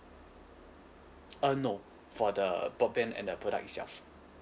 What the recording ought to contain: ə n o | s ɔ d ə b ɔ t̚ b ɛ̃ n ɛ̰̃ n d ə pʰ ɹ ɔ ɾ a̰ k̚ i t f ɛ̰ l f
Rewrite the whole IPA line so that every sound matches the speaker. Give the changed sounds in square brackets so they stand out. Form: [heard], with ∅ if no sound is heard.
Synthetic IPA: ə n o | [f] ɔ d ə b ɔ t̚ b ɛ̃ n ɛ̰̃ n d ə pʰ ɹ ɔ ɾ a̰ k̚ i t [s] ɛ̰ l f